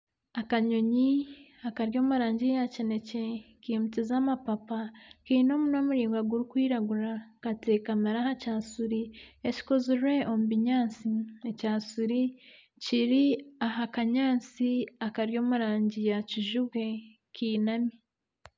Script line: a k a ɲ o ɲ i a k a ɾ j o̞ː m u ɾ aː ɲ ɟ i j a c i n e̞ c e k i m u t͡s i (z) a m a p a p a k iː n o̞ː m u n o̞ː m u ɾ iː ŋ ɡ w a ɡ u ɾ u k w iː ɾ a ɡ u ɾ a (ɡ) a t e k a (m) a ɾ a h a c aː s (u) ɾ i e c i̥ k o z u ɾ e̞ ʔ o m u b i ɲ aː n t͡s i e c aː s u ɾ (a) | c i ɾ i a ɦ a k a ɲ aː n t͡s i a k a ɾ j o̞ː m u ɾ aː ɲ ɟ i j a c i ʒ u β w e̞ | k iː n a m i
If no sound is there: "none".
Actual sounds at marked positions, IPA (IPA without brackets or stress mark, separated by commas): z, k, m, u, i